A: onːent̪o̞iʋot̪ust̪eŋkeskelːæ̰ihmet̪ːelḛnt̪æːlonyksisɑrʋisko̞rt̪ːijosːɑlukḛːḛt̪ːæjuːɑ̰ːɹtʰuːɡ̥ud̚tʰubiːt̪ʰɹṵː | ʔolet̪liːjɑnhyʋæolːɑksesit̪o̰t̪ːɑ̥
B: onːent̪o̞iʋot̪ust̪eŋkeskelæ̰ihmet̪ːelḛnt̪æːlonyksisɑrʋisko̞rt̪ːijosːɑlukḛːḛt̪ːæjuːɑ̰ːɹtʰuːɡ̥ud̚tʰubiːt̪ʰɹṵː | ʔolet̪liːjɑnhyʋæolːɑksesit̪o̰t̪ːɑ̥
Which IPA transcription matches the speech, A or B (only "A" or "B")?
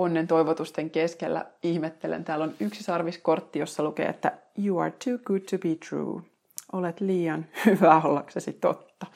A